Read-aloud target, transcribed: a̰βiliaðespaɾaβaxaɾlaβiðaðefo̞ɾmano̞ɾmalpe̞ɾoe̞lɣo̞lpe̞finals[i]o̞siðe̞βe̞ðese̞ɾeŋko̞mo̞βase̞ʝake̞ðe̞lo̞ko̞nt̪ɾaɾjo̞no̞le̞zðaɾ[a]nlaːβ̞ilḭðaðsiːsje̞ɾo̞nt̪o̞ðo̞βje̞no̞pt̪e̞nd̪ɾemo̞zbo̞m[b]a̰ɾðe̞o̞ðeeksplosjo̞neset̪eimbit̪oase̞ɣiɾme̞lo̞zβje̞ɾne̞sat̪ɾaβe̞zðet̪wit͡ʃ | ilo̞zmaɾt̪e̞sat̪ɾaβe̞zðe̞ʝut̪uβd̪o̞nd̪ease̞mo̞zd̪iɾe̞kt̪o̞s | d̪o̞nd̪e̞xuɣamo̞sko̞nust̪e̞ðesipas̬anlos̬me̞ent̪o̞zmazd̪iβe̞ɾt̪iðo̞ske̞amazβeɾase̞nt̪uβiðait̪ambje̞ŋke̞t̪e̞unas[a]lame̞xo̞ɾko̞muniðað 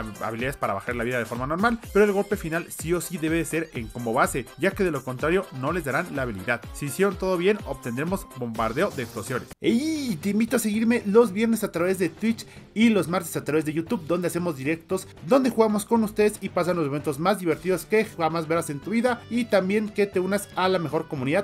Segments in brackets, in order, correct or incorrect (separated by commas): correct, correct, correct, correct